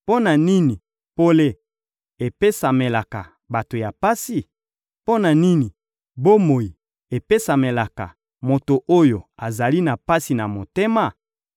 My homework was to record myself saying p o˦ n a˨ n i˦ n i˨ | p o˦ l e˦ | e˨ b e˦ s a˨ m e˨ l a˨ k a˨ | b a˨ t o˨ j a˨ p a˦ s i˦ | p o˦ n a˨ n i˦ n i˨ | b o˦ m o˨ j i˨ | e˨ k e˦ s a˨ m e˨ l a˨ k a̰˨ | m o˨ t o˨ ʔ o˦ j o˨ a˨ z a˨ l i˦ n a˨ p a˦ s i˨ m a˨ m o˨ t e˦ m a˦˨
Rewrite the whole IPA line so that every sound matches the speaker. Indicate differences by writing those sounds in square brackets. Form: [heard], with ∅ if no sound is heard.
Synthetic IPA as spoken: p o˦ n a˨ n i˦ n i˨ | p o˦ l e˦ | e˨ [p] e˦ s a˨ m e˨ l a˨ k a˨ | b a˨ t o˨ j a˨ p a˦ s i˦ | p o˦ n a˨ n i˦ n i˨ | b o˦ m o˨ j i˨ | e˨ [p] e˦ s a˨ m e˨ l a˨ k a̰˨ | m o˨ t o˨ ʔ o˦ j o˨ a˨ z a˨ l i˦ n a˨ p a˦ s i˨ [n] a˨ m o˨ t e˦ m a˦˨